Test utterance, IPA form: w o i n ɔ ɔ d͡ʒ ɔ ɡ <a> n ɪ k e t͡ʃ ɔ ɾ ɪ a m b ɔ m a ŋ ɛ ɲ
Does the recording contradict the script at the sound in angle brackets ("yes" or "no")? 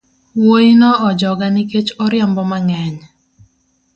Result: no